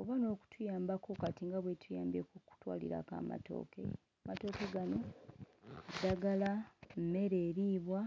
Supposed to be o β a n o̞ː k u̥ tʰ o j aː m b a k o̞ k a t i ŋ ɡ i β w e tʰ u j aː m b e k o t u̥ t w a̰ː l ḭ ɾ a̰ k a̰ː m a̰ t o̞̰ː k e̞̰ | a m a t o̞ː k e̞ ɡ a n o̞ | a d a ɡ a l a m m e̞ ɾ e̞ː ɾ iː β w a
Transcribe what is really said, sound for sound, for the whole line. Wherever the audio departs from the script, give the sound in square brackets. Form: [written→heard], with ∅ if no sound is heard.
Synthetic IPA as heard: o β a n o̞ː k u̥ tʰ [o→u] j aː m b a k o̞ k a t i ŋ ɡ [i→a] β w e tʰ u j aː m b e k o [t→k] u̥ t w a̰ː l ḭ ɾ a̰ k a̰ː m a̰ t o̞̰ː k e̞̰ | a m a t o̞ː k e̞ ɡ a n o̞ | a d a ɡ a l a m m e̞ ɾ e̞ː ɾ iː β w a